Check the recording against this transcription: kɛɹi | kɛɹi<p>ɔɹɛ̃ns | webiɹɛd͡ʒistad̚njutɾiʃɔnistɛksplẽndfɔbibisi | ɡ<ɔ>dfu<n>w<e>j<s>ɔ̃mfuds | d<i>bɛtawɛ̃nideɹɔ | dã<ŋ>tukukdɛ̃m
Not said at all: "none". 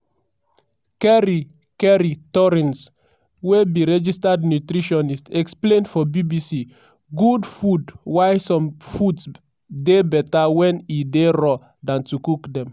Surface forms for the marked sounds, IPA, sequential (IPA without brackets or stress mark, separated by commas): t, u, d, a, s, e, n